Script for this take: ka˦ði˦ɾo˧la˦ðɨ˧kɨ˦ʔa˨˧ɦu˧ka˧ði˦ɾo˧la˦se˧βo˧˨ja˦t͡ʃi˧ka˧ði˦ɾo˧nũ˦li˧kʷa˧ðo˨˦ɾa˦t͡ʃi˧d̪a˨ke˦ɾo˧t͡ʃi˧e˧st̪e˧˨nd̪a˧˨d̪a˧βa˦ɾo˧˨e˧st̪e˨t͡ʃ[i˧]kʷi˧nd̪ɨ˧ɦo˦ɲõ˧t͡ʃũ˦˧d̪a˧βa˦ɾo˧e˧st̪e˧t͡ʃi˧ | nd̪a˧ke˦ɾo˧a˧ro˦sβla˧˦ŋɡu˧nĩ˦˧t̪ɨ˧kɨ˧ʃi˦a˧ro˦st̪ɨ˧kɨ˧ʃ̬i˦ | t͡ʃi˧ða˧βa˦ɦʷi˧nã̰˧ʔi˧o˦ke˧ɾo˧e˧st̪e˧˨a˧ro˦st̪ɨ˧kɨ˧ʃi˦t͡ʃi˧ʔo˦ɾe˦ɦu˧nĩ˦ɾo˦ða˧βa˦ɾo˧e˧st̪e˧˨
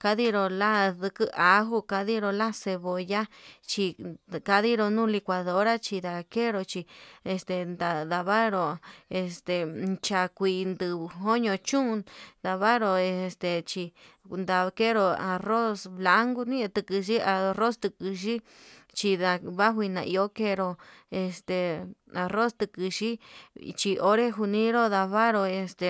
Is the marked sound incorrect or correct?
incorrect